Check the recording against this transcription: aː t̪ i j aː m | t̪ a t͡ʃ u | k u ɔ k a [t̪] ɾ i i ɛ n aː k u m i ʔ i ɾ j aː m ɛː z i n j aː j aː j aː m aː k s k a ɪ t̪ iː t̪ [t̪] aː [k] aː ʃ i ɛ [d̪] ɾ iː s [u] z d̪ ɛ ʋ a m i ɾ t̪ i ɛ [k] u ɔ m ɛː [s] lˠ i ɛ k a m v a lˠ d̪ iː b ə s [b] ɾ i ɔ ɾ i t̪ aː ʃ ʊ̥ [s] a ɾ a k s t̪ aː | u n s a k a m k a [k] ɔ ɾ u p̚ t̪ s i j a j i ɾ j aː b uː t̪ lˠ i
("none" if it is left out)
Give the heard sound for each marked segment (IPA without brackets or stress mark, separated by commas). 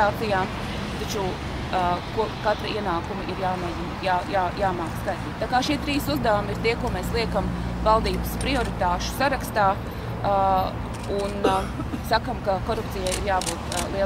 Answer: t̪, t̪, k, t̪, u, k, s, p, s, k